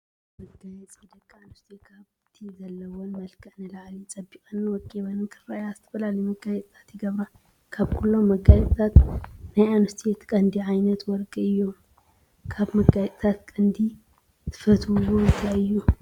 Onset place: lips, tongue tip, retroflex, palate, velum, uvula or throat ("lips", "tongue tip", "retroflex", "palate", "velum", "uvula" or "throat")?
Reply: lips